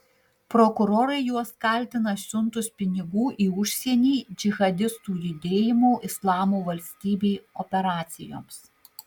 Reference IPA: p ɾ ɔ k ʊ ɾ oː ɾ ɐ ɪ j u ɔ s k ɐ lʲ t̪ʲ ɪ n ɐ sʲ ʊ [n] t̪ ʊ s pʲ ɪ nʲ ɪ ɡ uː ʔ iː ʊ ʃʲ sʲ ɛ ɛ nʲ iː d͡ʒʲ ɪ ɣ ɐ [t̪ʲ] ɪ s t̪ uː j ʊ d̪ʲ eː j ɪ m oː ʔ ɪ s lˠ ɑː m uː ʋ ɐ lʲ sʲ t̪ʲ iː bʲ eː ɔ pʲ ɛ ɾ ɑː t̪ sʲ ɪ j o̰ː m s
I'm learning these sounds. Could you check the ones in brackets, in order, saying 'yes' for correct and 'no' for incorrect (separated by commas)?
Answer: yes, no